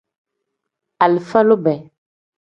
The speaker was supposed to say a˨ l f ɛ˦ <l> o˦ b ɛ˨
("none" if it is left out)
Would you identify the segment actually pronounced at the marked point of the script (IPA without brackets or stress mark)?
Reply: l